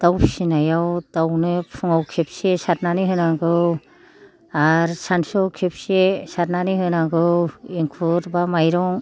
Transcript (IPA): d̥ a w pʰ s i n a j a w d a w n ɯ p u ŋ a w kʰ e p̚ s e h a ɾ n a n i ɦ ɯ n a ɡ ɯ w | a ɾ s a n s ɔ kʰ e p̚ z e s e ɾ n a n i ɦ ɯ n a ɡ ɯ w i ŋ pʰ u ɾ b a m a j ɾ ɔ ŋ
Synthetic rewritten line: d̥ a w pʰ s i n a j a w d a w n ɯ pʰ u ŋ a w kʰ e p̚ s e s a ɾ n a n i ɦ ɯ n a ɡ ɯ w | a ɾ s a n s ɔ kʰ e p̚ s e s a ɾ n a n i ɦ ɯ n a ɡ ɯ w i ŋ kʰ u ɾ b a m a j ɾ ɔ ŋ

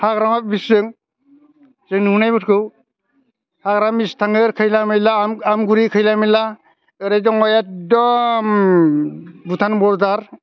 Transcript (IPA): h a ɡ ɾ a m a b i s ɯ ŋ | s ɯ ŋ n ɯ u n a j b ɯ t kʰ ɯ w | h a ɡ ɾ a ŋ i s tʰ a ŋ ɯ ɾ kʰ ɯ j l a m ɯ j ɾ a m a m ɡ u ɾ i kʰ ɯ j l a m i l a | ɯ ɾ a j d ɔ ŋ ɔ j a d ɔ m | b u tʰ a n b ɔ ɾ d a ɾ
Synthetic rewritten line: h a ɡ ɾ a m a b i s ɯ ŋ | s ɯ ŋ n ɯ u n a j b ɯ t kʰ ɯ w | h a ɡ ɾ a m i s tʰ a ŋ ɯ ɾ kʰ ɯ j l a m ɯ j l a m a m ɡ u ɾ i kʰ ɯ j l a m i l a | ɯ ɾ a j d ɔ ŋ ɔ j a d ɔ m | b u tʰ a n b ɔ ɾ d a ɾ

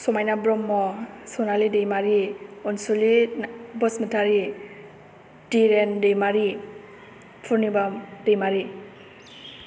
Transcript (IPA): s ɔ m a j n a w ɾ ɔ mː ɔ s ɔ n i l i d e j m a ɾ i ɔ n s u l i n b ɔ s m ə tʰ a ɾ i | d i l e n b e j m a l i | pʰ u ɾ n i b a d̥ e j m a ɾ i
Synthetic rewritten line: s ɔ m a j n a b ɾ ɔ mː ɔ s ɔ n a l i d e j m a ɾ i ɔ n s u l i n b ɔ s m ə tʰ a ɾ i | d i ɾ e n d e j m a ɾ i | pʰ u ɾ n i b a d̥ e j m a ɾ i

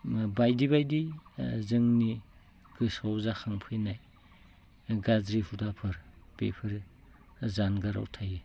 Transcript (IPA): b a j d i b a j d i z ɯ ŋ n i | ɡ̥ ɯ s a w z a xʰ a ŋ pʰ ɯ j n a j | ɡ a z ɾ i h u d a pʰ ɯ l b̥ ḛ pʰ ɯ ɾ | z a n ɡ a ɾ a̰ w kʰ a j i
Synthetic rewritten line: b a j d i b a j d i z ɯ ŋ n i | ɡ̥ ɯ s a w z a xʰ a ŋ pʰ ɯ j n a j | ɡ a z ɾ i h u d a pʰ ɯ ɾ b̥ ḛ pʰ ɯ ɾ | z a n ɡ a ɾ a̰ w tʰ a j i

